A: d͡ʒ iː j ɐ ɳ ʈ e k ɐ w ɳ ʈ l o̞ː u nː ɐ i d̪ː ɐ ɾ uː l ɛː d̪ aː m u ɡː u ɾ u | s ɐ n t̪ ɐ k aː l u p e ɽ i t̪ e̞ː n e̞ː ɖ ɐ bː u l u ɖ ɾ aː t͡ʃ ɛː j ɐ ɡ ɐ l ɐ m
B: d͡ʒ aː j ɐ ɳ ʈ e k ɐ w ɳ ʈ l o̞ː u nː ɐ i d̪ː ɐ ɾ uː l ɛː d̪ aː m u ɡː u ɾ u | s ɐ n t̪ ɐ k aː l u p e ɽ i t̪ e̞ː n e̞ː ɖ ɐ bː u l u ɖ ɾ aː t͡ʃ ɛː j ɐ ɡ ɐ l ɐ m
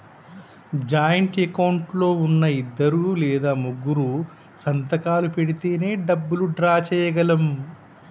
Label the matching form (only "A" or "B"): B